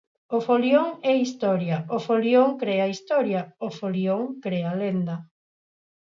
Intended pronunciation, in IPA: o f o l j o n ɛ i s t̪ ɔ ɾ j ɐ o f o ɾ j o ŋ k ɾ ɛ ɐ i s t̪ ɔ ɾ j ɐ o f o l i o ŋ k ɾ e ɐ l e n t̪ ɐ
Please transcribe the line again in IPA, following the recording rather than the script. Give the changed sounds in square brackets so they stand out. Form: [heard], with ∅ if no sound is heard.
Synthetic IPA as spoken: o f o l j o [ŋ] ɛ i s t̪ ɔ ɾ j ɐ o f o [l] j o ŋ k ɾ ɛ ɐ i s t̪ ɔ ɾ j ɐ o f o l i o ŋ k ɾ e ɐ l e n [d̪] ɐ